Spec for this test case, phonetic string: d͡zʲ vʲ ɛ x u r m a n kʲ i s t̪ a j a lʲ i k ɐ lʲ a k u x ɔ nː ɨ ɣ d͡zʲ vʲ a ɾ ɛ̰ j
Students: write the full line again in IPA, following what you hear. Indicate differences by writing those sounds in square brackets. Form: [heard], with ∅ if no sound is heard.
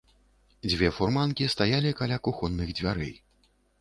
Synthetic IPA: d͡zʲ vʲ ɛ [f] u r m a n kʲ i s t̪ a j a lʲ i k [a] lʲ a k u x ɔ nː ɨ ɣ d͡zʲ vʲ a ɾ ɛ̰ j

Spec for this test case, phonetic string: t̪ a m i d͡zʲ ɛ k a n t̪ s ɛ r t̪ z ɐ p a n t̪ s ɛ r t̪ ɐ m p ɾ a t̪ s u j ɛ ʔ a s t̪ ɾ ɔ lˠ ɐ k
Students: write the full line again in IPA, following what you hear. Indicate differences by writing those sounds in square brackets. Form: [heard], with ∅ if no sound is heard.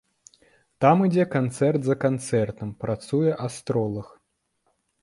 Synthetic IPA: t̪ a m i d͡zʲ ɛ k a n t̪ s ɛ r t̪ z ɐ [k] a n t̪ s ɛ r t̪ ɐ m p ɾ a t̪ s u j ɛ ʔ a s t̪ ɾ ɔ lˠ ɐ [x]

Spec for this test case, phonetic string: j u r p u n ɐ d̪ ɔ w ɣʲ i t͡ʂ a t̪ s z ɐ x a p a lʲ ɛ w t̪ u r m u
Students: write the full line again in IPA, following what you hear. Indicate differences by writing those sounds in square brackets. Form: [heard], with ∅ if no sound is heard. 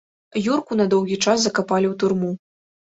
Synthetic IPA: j u r [k] u n ɐ d̪ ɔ w ɣʲ i t͡ʂ a [∅] s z ɐ [k] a p a lʲ [i] w t̪ u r m u

